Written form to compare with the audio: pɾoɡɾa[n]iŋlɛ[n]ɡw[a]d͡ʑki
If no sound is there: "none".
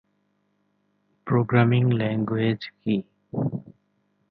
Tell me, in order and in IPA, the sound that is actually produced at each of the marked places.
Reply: m, ŋ, e

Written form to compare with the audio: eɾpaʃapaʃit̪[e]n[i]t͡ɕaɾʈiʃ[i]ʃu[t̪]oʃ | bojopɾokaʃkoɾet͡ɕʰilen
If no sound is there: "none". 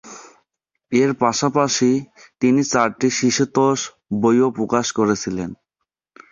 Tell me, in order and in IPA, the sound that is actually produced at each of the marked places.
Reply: i, i, i, t̪

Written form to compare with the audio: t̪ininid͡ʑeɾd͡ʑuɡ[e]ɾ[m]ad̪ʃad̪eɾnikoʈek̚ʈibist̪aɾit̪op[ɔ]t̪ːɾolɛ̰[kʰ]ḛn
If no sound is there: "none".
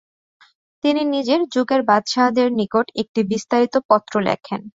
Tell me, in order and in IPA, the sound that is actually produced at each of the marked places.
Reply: e, b, ɔ, kʰ

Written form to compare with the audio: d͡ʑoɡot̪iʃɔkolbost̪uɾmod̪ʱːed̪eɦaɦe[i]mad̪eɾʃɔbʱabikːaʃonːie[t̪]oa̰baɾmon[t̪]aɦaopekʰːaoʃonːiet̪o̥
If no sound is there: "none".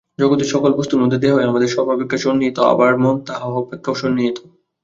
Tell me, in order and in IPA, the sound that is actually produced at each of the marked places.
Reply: a, t̪, t̪

